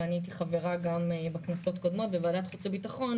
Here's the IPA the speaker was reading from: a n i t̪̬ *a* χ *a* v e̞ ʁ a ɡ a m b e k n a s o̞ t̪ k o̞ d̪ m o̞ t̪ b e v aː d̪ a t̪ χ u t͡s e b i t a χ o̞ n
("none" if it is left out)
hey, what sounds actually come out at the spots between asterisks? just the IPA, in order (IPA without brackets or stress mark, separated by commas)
i, a